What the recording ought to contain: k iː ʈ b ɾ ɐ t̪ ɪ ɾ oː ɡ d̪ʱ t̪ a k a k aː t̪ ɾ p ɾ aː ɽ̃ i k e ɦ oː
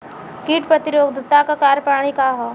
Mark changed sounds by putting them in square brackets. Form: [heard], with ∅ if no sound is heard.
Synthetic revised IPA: k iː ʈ [p] ɾ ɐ t̪ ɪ ɾ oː ɡ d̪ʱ t̪ a k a k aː [∅] ɾ p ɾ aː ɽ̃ i k [a] ɦ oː